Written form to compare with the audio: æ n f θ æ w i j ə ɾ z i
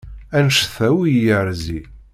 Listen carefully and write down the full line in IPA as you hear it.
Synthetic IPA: æ n ʃ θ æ w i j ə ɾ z i